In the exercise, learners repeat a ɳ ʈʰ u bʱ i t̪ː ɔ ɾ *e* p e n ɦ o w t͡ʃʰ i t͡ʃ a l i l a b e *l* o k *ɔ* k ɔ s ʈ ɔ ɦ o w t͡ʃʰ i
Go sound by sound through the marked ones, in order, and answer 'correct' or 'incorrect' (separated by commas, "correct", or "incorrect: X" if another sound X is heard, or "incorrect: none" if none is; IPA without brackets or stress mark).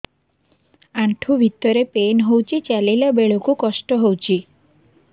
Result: correct, incorrect: ɭ, incorrect: u